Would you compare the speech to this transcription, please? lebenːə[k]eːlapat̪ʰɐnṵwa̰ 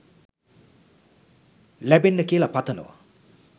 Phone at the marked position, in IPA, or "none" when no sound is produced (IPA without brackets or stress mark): k